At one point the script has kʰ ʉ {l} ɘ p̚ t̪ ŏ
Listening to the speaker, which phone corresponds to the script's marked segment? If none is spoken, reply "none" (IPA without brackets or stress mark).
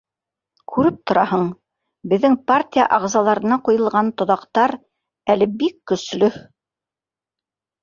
ɾ